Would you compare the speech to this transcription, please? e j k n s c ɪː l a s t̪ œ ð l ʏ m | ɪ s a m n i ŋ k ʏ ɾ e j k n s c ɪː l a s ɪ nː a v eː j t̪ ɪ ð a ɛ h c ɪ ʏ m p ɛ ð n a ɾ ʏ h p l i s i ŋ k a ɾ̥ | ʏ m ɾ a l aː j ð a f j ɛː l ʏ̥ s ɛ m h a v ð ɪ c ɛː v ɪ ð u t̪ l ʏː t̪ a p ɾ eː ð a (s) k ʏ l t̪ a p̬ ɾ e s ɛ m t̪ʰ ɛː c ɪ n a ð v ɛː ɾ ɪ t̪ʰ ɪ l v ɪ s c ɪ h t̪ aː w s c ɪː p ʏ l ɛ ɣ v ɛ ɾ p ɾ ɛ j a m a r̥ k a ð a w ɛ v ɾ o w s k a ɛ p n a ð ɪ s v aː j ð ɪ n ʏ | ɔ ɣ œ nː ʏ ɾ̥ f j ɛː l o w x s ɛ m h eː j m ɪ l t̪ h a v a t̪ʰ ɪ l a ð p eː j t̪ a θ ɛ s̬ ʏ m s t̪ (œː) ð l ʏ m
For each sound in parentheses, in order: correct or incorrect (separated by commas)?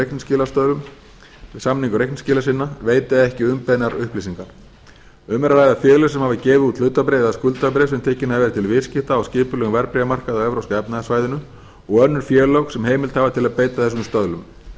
correct, incorrect